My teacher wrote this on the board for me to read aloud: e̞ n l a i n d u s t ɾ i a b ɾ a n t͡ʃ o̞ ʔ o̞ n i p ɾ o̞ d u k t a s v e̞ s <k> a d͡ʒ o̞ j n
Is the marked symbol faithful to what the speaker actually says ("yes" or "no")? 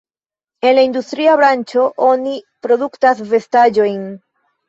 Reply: no